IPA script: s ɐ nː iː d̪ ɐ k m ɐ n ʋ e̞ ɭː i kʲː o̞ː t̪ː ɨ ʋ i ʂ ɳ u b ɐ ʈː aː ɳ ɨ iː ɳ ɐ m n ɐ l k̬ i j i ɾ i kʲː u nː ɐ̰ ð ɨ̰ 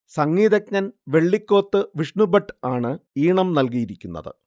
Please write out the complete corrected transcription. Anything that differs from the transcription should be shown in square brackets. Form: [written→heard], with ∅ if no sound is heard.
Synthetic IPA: s ɐ [nː→ŋː] iː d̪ ɐ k [m→ɲ] ɐ n ʋ e̞ ɭː i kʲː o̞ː t̪ː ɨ ʋ i ʂ ɳ u b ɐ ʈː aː ɳ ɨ iː ɳ ɐ m n ɐ l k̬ i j i ɾ i kʲː u nː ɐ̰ ð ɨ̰